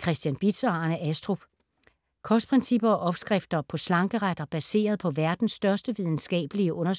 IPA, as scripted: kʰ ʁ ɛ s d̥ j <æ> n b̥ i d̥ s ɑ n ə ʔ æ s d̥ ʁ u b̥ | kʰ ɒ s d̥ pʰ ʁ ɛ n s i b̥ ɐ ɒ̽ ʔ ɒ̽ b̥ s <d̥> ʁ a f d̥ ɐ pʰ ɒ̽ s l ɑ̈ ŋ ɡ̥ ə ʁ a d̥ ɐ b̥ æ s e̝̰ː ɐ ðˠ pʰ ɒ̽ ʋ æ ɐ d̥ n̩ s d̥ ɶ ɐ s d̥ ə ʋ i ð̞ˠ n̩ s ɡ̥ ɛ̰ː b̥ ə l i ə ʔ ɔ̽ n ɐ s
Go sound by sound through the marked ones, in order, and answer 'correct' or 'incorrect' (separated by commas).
correct, incorrect